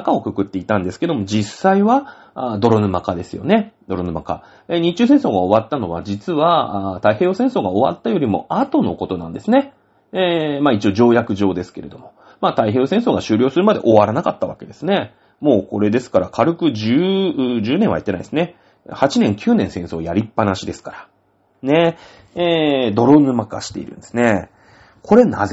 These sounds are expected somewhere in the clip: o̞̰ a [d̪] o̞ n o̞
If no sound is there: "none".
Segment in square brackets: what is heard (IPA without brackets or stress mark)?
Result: t̪